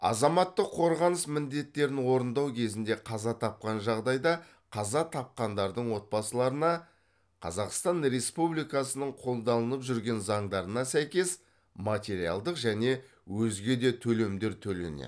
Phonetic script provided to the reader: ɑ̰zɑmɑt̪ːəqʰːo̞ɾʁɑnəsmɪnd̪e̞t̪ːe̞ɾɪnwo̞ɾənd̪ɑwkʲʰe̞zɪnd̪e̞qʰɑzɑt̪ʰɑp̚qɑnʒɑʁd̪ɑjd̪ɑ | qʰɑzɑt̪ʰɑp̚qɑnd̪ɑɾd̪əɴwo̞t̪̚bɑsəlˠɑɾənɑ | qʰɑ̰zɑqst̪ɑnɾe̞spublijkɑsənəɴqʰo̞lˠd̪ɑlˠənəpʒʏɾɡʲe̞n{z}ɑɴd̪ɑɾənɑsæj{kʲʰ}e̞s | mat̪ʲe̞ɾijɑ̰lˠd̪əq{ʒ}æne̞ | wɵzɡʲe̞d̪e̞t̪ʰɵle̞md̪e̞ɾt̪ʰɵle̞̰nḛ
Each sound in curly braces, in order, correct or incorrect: correct, incorrect: kʲ, correct

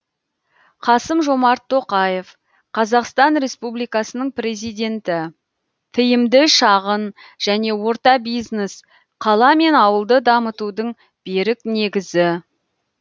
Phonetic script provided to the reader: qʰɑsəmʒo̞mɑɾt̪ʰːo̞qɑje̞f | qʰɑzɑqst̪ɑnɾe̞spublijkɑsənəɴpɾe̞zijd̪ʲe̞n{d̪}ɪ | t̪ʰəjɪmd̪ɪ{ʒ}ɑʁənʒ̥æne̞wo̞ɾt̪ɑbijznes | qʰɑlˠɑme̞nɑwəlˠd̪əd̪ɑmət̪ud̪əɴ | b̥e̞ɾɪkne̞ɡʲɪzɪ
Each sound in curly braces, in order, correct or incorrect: incorrect: t̪, incorrect: ʃ

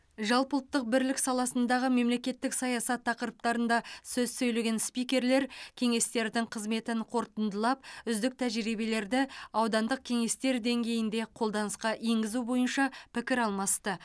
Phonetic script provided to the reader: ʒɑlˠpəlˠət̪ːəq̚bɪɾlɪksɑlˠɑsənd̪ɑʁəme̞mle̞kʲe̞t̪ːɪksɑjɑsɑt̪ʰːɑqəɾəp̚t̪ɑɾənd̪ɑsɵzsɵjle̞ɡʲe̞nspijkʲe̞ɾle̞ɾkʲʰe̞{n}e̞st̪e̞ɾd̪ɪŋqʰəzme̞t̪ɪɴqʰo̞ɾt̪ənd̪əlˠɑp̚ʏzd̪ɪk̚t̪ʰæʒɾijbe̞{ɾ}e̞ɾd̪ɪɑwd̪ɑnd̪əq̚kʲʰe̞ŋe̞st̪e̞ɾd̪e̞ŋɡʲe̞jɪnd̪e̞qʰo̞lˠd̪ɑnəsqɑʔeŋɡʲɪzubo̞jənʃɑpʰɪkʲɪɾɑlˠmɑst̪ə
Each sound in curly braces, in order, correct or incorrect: incorrect: ŋ, incorrect: l

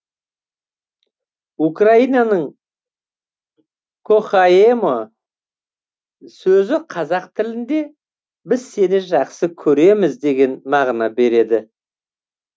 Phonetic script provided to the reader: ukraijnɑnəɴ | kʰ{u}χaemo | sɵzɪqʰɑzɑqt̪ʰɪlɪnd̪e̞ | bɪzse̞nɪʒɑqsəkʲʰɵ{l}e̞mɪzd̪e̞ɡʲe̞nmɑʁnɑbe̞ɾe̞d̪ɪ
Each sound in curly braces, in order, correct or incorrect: incorrect: o, incorrect: ɾ

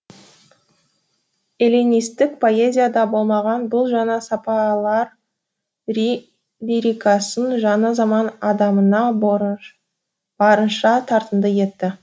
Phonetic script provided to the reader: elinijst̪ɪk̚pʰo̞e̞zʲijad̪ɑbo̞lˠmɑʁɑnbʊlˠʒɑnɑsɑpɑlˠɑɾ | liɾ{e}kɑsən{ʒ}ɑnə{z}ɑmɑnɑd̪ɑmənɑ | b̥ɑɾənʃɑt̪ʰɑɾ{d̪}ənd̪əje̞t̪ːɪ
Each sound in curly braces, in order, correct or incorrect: incorrect: i, correct, correct, incorrect: t̪

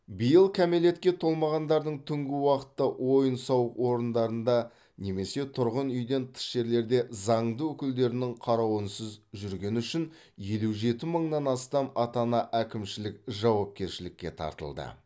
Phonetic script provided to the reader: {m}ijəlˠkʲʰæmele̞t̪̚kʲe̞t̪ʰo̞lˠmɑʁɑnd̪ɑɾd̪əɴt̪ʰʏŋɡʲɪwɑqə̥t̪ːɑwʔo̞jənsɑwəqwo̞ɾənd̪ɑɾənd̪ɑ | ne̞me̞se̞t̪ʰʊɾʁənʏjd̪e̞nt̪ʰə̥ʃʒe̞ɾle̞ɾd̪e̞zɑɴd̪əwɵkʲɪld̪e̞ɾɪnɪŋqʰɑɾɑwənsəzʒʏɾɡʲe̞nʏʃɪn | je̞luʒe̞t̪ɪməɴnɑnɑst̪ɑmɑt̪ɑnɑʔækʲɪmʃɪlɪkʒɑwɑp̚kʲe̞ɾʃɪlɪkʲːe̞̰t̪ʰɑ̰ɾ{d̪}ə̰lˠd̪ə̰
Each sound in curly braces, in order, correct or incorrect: incorrect: b, incorrect: t̪

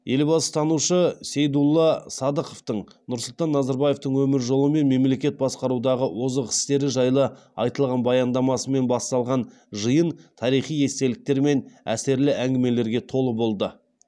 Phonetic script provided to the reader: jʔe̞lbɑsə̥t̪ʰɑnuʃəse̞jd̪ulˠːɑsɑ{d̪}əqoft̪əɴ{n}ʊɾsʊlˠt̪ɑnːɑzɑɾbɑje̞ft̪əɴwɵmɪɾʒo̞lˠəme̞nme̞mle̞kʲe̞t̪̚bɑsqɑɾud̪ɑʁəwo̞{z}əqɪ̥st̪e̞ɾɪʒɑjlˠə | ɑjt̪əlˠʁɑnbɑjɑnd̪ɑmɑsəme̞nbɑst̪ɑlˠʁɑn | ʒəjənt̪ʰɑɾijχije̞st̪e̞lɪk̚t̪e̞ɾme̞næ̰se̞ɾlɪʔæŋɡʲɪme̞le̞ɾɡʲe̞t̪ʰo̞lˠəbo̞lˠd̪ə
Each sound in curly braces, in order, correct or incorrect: correct, correct, correct

